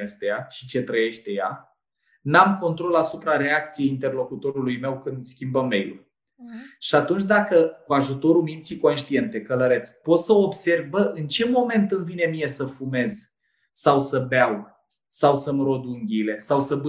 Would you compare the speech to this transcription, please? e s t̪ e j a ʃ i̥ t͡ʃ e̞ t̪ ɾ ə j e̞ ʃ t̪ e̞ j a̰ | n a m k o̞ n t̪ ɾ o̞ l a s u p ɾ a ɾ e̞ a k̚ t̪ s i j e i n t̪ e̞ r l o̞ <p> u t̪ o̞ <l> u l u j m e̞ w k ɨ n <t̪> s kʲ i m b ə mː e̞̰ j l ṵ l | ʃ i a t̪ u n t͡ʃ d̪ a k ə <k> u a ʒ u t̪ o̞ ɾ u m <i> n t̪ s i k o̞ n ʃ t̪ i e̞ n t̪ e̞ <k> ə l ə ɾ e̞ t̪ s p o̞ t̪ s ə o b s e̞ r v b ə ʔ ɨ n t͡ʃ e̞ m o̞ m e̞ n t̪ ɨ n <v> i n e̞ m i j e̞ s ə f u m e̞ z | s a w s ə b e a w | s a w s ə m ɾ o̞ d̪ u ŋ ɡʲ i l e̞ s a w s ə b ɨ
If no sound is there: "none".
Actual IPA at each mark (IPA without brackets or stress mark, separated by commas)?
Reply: k, ɾ, d̪, k, i, k, v